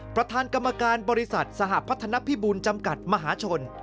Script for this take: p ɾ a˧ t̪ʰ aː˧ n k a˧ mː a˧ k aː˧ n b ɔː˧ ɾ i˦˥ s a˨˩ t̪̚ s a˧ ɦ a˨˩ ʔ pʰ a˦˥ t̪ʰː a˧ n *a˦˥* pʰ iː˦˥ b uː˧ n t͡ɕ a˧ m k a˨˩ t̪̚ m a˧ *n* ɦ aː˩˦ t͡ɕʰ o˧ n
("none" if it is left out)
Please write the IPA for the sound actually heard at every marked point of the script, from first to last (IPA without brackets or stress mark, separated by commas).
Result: a˦˥, none